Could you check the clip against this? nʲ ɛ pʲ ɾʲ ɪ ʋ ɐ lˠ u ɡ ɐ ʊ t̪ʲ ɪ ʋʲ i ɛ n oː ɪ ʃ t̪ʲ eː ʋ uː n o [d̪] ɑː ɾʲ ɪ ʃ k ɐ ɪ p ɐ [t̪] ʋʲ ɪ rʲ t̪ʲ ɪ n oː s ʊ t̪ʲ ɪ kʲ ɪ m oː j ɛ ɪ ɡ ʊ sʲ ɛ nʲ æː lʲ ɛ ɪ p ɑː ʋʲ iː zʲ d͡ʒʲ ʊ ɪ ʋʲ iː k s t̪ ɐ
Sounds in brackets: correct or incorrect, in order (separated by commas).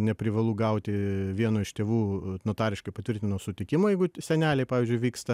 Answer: incorrect, correct